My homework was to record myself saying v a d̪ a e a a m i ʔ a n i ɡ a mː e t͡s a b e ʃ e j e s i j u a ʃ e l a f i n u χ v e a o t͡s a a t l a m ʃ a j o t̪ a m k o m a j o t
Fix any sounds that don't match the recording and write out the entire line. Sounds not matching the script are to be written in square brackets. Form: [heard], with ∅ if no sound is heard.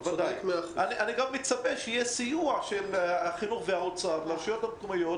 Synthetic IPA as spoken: v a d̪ a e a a [n] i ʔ a n i ɡ a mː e t͡s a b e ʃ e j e s i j u a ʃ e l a [χ] i n u χ v e a o t͡s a a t l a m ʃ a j o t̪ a m k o m a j o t

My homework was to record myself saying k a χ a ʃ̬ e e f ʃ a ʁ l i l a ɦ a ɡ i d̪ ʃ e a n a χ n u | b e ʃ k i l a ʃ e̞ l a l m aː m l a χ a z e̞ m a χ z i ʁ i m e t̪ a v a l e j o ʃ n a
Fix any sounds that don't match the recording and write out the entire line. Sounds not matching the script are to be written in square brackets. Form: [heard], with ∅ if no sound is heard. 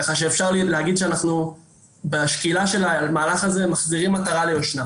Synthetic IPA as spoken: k a χ a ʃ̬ e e f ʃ a ʁ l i l [e] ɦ a ɡ i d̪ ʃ e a n a χ n u | b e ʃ k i l a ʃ e̞ l a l m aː [∅] l a χ a z e̞ m a χ z i ʁ i m [a] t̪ a [ʁ] a l e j o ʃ n a

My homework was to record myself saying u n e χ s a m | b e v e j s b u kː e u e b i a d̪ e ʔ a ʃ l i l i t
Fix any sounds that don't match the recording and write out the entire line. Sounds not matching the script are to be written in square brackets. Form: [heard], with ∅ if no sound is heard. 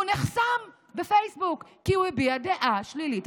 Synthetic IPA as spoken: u n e χ s a m | b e [f] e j s b u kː [i] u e b i a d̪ e ʔ a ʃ l i l i t

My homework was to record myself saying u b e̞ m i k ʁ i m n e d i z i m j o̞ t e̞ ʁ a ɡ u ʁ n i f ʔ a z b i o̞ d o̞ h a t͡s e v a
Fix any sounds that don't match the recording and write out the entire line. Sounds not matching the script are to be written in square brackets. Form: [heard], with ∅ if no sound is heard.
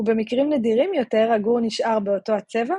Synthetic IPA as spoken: u b e̞ m i k ʁ i m n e d i [ʁ] i m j o̞ t e̞ ʁ a ɡ u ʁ n i [ʃ] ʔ a [ʁ] b [e] o̞ [t] o̞ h a t͡s e v a

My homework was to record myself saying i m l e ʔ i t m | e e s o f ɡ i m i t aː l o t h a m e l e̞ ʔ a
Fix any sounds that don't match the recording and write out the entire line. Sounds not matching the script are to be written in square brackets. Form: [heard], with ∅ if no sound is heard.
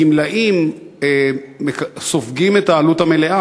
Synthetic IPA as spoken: i m l [a] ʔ i [∅] m | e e s o f ɡ i m [e] t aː l [u] t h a m e l e̞ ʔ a

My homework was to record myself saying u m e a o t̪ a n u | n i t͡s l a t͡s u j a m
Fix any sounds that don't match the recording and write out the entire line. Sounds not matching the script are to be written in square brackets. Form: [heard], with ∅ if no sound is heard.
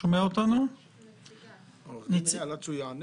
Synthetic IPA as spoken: [o] m e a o t̪ a n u | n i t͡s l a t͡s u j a [n]

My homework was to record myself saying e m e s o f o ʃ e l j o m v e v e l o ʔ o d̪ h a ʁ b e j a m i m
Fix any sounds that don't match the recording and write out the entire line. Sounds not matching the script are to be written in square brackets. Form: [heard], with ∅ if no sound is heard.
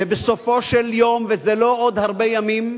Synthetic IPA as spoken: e [b] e s o f o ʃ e l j o m v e [z] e l o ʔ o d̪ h a ʁ b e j a m i m

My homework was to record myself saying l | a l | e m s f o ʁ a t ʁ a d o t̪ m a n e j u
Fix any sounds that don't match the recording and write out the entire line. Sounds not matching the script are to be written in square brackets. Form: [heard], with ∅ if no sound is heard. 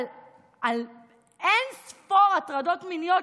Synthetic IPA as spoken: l | a l | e [n] s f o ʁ a t ʁ a d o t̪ m [i] n [i] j [o]

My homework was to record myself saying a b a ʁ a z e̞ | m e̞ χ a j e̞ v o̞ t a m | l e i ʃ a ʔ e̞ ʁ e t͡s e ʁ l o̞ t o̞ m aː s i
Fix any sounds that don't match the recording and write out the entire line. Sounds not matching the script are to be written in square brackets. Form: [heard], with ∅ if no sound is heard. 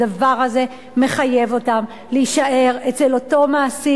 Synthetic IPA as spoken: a [v] a ʁ a z e̞ | m e̞ χ a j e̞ v o̞ t a m | l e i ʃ a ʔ e̞ ʁ e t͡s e [∅] l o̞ t o̞ m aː s i

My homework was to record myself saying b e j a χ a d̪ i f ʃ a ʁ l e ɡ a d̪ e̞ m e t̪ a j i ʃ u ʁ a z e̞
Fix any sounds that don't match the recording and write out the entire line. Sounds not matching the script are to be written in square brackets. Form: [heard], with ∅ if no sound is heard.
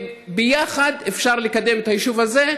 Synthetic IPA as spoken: b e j a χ a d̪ [e] f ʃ a ʁ l e [k] a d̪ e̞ m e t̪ a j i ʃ u [v] a z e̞

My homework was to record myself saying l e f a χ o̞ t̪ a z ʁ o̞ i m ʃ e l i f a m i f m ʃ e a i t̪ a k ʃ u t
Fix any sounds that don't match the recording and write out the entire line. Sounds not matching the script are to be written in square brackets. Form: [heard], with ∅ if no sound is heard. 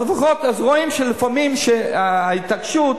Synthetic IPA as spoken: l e f a χ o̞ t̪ a z ʁ o̞ i m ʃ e l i f a m i [∅] m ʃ e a i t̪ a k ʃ u t

